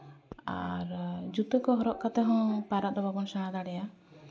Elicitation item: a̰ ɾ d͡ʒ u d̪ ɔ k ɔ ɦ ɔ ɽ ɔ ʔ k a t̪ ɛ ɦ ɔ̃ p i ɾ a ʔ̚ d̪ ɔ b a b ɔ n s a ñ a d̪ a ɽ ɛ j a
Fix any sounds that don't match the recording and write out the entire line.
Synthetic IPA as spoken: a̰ ɾ d͡ʒ u t̪ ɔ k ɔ ɦ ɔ ɾ ɔ ʔ k a t̪ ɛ ɦ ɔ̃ p a ɾ a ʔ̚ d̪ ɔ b a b ɔ n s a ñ a d̪ a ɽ ɛ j a